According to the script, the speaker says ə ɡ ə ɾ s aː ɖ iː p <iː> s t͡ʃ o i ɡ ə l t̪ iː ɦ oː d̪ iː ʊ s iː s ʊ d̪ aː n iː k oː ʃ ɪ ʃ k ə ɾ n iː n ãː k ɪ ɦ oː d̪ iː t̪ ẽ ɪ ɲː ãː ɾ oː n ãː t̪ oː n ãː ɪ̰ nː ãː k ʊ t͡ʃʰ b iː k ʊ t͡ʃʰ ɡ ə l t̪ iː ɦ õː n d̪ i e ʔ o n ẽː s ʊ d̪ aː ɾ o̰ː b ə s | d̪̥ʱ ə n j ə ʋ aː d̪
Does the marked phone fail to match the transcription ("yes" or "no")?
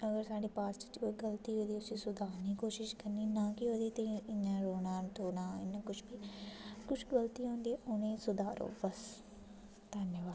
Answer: yes